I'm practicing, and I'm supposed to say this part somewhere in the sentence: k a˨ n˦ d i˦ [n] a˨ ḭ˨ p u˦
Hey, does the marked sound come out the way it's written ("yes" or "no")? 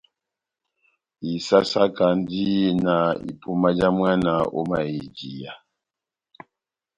yes